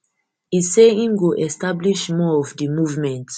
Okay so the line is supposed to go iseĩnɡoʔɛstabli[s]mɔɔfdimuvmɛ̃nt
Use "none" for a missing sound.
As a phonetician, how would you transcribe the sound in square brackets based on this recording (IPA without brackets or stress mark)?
ʃ